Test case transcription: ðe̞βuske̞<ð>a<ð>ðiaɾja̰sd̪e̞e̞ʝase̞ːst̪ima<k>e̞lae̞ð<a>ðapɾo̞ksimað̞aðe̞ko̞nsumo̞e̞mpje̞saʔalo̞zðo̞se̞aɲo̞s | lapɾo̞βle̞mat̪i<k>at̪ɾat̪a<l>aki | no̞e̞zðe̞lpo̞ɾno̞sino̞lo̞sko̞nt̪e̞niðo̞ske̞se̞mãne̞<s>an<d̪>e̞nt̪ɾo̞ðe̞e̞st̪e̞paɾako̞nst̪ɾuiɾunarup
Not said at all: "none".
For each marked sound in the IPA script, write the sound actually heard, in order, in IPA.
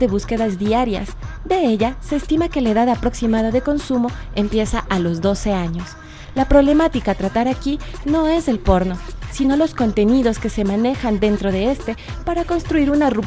ð, z, k, a, k, ɾ, x, d̪

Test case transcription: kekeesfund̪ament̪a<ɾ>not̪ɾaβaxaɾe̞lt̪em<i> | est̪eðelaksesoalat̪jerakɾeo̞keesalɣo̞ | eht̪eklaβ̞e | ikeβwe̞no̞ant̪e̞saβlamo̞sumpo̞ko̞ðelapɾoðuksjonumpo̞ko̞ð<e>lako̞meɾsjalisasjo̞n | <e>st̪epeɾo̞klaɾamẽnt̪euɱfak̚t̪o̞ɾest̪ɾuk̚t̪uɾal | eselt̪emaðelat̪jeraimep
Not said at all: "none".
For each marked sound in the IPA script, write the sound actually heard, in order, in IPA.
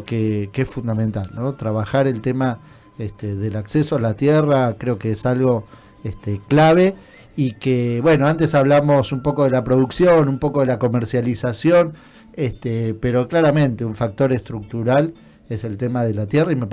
l, a, e, e

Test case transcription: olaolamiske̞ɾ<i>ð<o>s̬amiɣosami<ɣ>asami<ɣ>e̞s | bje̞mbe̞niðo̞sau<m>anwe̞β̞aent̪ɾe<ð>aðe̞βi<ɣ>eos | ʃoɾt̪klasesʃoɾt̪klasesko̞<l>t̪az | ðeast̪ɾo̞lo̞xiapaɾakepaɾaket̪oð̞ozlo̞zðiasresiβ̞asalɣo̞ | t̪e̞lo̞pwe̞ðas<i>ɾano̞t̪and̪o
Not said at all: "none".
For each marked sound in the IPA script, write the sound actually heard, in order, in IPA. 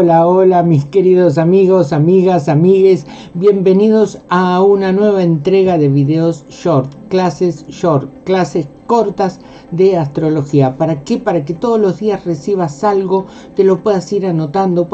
i, o, ɣ, ɣ, n, ɣ, ð, ɾ, i

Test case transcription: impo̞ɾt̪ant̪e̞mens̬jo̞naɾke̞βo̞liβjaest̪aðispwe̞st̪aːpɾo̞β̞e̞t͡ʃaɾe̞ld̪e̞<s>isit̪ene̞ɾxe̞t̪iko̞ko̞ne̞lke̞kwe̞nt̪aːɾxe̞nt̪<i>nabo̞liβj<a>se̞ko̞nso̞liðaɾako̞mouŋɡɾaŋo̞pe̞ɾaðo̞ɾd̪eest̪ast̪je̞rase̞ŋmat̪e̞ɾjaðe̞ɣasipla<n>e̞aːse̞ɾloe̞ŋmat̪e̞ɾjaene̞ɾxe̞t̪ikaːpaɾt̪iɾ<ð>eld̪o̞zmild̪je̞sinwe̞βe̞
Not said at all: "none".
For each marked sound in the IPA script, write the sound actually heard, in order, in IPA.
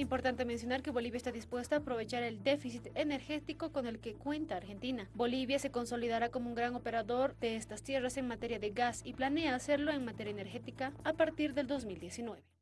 f, i, a, n, ð

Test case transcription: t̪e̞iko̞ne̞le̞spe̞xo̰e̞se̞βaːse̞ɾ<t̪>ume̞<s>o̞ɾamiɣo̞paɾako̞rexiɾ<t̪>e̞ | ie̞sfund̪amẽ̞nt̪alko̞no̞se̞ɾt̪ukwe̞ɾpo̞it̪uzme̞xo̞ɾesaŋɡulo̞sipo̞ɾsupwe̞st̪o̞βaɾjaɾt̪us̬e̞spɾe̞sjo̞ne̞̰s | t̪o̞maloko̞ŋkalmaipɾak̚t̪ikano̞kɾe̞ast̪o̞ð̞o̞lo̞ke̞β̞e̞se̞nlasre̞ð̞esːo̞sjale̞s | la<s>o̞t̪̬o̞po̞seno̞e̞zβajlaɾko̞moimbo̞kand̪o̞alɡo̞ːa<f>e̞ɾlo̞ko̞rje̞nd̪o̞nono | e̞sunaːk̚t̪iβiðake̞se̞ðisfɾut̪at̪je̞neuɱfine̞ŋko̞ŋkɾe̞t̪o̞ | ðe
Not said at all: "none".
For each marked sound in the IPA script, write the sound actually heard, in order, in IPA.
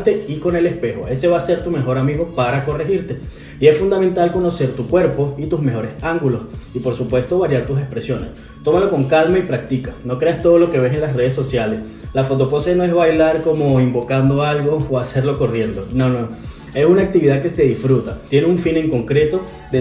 t̪, x, t̪, f, s

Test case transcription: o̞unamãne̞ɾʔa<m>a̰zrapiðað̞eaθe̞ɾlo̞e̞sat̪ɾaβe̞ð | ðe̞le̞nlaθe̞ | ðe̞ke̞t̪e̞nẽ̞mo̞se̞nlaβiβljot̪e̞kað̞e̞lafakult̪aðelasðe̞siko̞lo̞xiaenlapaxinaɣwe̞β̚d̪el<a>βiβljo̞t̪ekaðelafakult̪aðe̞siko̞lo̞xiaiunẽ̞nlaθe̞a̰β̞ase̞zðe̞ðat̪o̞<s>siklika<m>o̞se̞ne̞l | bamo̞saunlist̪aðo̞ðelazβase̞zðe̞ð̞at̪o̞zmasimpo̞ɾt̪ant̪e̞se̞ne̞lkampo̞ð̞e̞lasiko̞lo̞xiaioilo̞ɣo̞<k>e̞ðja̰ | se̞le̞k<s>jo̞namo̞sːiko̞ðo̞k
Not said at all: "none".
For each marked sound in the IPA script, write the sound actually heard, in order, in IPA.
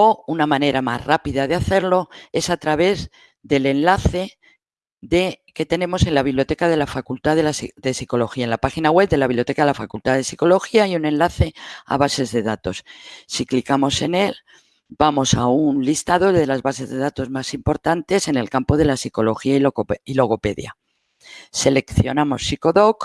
m, a, s, m, p, θ

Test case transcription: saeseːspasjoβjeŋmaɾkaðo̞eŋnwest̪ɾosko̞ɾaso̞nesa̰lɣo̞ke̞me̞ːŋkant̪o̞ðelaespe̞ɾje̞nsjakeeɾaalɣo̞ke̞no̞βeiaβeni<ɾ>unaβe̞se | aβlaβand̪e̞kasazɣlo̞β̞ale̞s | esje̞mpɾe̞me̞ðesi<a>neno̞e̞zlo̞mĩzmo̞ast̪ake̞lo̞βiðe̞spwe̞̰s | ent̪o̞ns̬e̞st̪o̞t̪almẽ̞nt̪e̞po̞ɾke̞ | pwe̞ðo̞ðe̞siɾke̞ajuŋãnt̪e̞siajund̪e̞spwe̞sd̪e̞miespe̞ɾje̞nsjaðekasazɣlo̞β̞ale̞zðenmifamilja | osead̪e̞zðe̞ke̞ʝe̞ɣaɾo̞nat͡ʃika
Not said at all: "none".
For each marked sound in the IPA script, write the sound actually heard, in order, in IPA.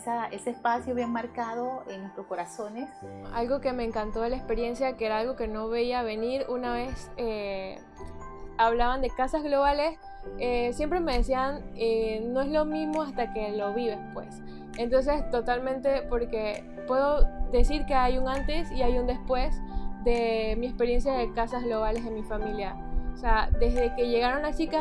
ɾ, a

